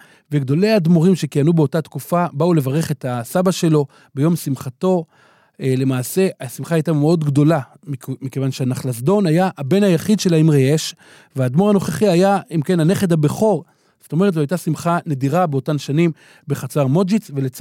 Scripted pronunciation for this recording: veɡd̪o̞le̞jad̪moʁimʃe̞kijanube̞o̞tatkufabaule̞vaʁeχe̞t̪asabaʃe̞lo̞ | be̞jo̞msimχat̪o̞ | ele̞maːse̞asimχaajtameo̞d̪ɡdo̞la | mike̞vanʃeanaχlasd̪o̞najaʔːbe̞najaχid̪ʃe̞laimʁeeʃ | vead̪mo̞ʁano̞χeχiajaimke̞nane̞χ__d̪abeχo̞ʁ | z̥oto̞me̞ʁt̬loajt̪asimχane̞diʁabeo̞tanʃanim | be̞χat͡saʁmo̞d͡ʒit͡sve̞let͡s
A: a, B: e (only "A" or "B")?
B